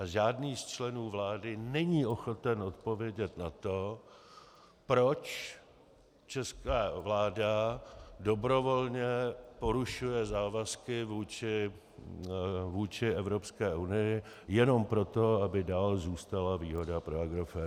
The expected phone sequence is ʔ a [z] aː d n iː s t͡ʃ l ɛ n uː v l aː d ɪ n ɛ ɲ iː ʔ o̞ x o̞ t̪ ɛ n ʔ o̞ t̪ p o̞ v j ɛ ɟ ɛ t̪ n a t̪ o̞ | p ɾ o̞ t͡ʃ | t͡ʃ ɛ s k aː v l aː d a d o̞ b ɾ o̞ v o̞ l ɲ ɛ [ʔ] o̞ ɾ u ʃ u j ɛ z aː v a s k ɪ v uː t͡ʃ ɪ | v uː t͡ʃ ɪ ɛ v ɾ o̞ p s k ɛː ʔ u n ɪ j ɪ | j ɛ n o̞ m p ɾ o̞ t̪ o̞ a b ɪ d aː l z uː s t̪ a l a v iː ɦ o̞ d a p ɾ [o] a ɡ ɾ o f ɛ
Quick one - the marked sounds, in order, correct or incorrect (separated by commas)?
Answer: incorrect, incorrect, correct